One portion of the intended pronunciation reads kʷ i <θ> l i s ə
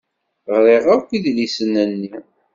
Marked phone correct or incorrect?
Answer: incorrect